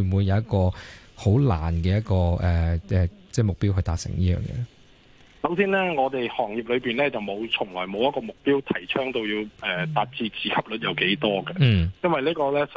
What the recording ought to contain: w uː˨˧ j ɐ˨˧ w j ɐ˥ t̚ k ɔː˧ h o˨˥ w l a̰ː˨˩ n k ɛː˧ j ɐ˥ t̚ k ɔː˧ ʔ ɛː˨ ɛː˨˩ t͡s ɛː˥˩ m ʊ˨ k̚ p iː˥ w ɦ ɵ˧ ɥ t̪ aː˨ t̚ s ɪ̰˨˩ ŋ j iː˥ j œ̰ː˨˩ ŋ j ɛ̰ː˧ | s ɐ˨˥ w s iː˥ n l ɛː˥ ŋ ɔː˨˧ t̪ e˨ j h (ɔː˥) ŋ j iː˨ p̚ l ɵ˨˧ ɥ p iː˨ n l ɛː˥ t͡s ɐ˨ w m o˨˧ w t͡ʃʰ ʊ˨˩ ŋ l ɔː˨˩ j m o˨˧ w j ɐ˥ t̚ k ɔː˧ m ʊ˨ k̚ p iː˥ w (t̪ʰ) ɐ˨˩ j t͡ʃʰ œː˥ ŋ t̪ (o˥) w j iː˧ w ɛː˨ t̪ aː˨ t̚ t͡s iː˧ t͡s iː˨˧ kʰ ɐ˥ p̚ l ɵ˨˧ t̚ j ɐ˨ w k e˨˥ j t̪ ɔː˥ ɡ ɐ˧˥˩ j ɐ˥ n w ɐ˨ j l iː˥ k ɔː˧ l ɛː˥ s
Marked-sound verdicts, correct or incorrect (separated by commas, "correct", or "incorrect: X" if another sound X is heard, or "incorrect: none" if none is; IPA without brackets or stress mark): incorrect: ɔː˨˩, correct, incorrect: o˧